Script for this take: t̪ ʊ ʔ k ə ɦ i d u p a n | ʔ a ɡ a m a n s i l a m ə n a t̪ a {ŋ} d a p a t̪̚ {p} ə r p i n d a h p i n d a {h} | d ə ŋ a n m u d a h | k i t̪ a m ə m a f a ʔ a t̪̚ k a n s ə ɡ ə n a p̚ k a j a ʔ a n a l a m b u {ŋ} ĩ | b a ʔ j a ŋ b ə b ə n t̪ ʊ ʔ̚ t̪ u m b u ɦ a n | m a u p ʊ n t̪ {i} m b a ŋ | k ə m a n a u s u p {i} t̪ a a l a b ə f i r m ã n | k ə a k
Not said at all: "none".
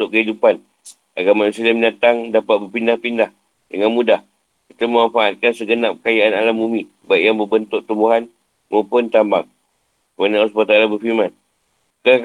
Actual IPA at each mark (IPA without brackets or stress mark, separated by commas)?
ŋ, b, h, m, a, a